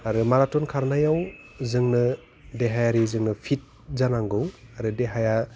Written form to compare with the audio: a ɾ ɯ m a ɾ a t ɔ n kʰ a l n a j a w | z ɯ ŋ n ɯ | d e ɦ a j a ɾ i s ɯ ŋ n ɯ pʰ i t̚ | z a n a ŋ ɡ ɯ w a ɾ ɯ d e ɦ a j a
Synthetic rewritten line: a ɾ ɯ m a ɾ a t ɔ n kʰ a ɾ n a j a w | z ɯ ŋ n ɯ | d e ɦ a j a ɾ i z ɯ ŋ n ɯ pʰ i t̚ | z a n a ŋ ɡ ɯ w a ɾ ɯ d e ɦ a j a